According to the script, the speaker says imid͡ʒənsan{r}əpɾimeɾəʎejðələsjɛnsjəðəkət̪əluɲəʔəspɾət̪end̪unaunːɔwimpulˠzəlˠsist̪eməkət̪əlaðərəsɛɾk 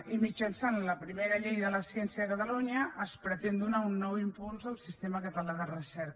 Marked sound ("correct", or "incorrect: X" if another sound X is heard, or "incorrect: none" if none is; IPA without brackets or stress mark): incorrect: l